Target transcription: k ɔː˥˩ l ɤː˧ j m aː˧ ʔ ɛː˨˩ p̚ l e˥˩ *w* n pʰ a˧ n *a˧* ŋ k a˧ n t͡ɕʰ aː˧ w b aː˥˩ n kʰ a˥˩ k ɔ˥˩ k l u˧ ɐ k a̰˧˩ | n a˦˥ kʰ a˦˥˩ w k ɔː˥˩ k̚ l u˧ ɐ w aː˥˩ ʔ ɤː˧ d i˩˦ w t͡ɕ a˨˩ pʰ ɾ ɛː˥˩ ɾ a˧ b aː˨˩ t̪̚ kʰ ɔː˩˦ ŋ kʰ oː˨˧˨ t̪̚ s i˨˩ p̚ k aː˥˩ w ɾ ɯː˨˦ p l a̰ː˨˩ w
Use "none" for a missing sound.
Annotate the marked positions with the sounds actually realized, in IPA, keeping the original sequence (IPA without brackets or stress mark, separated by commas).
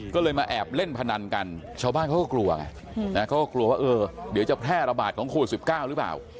none, a˧